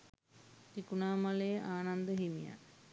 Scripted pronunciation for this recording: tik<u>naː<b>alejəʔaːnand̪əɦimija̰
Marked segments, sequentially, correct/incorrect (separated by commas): correct, incorrect